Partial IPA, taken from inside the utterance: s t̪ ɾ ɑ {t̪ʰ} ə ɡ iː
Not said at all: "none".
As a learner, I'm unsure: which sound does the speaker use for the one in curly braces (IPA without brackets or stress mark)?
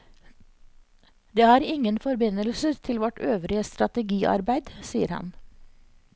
t̪